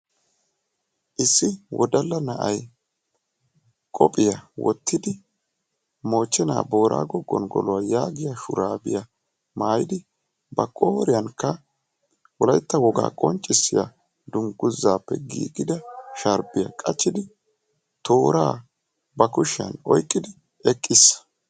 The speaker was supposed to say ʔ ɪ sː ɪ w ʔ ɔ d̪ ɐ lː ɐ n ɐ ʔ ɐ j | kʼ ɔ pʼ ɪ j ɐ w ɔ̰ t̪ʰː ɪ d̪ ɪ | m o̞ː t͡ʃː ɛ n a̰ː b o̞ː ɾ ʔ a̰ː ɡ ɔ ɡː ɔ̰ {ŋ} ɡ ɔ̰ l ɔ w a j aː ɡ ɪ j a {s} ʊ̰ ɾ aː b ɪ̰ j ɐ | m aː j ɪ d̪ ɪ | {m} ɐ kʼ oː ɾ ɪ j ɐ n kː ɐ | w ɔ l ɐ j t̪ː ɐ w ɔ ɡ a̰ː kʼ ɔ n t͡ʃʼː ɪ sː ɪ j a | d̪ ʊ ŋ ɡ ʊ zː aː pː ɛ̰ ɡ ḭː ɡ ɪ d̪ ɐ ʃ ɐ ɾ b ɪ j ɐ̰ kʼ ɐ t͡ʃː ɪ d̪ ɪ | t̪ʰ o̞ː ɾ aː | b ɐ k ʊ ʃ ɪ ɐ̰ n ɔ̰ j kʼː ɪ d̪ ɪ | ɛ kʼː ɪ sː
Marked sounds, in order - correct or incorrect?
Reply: incorrect: n, incorrect: ʃ, incorrect: b

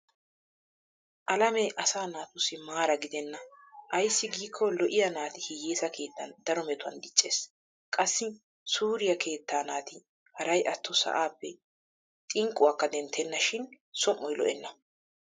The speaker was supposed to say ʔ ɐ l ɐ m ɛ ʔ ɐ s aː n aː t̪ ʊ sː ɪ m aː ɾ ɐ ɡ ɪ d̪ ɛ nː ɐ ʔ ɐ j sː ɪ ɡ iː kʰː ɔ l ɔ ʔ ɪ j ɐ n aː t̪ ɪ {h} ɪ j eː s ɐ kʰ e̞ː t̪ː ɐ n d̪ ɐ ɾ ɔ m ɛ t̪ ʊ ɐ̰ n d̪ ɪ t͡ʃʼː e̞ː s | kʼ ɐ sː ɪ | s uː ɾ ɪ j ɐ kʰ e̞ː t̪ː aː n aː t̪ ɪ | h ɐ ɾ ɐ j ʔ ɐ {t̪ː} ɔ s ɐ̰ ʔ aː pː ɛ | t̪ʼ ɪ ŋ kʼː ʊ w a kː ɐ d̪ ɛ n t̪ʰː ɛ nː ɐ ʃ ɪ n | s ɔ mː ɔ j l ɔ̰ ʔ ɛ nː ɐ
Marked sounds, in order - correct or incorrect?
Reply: correct, correct

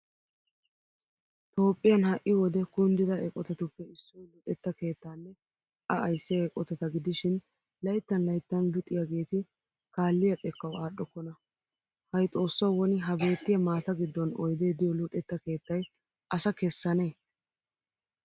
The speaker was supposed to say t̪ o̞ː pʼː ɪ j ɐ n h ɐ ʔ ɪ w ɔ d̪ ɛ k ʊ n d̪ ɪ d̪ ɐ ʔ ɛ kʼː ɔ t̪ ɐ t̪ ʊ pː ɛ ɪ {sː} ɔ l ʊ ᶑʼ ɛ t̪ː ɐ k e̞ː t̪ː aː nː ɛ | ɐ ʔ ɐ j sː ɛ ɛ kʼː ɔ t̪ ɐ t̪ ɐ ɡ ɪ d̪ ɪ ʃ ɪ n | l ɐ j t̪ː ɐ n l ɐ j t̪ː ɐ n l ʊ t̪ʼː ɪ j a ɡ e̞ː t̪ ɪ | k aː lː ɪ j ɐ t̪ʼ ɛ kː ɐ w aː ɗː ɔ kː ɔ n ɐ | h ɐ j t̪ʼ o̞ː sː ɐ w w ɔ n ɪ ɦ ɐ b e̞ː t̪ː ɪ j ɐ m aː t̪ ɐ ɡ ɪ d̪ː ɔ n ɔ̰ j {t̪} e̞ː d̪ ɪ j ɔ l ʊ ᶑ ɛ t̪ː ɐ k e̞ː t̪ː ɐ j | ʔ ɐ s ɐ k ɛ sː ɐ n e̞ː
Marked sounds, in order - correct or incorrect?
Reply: correct, incorrect: d̪

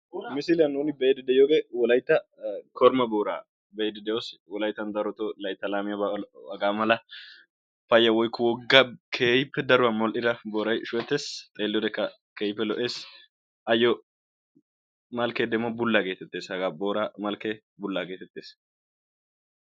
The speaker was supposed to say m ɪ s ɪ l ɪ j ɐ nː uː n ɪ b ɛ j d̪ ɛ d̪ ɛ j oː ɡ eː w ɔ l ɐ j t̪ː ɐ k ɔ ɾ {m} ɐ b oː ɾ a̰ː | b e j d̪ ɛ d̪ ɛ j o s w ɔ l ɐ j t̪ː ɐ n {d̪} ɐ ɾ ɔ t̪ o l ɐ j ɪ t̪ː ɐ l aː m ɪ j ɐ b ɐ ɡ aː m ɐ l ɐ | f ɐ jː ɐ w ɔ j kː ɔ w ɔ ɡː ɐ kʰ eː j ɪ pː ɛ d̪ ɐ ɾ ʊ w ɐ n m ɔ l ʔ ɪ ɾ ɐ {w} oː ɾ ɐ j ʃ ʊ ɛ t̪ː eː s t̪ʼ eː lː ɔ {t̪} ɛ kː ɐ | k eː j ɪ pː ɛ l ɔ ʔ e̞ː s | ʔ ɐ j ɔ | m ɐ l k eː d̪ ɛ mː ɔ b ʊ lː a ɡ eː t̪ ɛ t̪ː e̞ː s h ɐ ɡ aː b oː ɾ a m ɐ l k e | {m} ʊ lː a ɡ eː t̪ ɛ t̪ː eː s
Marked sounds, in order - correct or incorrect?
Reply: correct, correct, incorrect: b, incorrect: d̪, incorrect: b

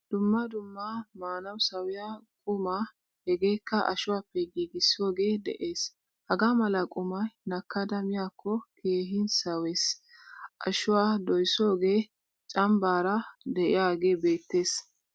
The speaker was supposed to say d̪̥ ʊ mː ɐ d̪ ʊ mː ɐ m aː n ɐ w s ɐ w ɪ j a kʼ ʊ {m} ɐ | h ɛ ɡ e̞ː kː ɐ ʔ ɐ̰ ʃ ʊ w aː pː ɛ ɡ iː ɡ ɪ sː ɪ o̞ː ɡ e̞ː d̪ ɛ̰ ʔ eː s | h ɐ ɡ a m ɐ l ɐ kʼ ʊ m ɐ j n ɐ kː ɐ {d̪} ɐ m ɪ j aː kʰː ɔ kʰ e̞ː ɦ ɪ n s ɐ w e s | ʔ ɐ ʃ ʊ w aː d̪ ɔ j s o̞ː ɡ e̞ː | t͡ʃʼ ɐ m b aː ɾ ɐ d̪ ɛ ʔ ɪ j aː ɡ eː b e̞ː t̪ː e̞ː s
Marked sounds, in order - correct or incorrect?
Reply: correct, correct

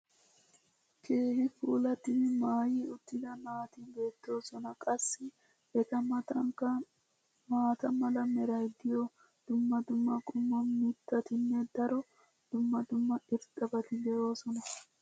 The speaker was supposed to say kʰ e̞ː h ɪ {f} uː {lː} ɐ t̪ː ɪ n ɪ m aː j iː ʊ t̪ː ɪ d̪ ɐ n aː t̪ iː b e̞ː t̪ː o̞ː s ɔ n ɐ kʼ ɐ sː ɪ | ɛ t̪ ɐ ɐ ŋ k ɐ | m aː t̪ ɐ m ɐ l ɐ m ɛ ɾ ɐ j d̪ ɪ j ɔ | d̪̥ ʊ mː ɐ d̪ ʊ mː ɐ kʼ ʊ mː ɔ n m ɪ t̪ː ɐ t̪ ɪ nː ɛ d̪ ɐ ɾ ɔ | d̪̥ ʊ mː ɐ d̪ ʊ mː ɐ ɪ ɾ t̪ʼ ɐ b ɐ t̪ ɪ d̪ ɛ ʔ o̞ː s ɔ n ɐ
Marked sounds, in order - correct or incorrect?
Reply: correct, incorrect: l

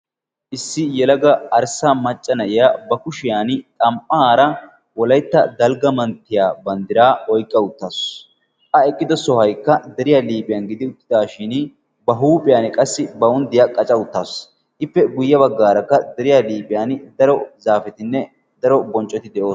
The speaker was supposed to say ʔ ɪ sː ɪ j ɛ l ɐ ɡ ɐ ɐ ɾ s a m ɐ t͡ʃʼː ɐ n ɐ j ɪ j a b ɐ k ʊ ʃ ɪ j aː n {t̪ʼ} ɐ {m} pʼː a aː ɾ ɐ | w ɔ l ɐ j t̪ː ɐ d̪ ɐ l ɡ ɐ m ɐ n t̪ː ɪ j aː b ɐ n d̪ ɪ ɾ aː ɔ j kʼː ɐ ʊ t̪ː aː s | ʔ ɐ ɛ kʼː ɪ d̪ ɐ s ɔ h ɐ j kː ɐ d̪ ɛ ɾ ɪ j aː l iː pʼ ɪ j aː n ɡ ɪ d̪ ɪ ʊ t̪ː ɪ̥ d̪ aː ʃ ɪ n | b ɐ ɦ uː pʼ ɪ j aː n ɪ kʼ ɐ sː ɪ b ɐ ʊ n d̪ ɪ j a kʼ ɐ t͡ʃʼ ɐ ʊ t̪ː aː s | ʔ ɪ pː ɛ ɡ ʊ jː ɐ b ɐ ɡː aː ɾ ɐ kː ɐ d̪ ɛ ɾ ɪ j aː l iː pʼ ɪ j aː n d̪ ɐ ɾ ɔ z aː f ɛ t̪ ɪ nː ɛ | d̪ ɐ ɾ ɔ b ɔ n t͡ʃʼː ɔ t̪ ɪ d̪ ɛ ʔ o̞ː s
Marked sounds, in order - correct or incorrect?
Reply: correct, correct

